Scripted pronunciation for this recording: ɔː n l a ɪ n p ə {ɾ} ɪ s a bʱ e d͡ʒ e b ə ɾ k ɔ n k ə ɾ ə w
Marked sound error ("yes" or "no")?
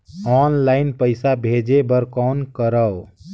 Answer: yes